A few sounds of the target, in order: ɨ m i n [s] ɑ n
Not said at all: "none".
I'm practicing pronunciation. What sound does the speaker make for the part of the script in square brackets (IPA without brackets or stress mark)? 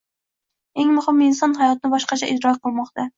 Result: s